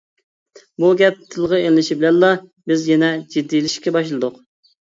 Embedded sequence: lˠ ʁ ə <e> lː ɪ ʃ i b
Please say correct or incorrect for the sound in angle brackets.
correct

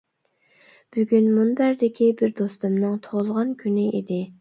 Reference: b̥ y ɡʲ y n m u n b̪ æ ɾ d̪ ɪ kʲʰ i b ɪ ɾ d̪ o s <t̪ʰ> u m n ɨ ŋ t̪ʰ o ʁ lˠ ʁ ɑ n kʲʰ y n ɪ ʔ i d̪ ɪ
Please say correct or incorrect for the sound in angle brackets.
incorrect: t̪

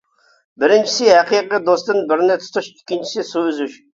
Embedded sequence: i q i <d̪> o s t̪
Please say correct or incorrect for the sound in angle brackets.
correct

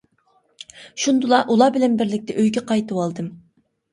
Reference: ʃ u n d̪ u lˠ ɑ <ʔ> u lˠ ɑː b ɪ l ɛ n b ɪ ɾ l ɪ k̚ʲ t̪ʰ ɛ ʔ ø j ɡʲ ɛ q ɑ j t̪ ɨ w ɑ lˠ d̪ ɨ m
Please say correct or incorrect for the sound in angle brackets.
correct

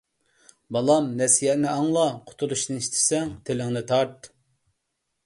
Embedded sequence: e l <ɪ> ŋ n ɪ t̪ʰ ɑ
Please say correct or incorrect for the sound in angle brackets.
correct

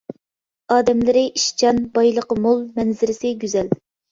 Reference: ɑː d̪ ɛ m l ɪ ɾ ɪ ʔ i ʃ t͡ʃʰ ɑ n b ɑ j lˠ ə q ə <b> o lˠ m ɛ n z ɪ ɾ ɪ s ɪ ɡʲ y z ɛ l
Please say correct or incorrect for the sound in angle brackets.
incorrect: m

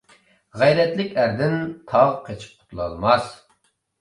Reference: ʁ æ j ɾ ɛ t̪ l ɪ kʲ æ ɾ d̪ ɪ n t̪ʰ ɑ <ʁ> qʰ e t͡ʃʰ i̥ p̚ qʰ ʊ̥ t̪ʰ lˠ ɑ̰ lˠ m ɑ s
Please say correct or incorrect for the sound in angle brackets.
correct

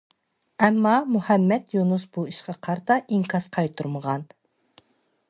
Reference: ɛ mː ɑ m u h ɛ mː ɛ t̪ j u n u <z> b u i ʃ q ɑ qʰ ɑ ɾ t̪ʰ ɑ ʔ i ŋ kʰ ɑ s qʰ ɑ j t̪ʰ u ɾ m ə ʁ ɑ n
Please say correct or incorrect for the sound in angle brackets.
incorrect: s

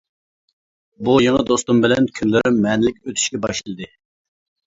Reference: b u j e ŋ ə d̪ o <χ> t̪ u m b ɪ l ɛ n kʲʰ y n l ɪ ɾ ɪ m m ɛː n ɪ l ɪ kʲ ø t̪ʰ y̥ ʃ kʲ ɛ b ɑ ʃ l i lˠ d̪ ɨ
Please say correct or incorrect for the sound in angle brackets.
incorrect: s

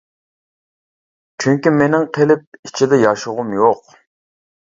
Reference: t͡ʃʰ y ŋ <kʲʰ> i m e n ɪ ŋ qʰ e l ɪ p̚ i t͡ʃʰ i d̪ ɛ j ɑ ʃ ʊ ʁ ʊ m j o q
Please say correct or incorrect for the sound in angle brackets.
incorrect: kʲ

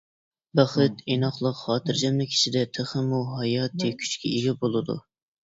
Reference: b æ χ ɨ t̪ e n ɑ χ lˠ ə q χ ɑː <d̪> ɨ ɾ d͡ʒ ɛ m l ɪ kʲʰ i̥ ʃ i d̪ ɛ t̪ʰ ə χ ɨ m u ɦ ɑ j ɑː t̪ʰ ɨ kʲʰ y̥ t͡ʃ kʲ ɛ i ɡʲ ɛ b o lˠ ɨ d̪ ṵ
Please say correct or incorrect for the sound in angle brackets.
incorrect: t̪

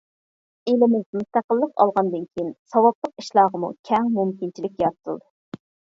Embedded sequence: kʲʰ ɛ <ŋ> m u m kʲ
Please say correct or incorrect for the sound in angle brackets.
correct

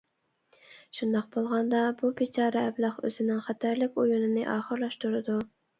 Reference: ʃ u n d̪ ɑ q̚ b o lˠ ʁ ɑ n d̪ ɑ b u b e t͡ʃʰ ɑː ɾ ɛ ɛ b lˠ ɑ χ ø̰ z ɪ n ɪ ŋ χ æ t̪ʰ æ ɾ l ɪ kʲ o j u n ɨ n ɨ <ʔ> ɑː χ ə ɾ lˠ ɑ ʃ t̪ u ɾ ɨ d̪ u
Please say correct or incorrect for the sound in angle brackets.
correct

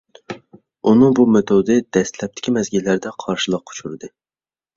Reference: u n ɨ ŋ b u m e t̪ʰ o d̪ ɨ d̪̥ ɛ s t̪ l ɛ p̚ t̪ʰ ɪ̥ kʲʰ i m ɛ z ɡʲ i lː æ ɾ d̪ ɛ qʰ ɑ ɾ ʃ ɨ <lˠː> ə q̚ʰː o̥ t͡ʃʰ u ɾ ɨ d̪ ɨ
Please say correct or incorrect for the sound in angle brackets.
incorrect: lˠ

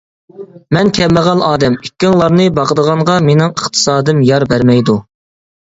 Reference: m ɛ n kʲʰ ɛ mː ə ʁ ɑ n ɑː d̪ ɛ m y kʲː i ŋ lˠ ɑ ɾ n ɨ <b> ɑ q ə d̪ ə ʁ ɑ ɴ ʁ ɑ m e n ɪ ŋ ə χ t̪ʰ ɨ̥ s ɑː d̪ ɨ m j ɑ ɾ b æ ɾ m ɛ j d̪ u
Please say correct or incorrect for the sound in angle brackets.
correct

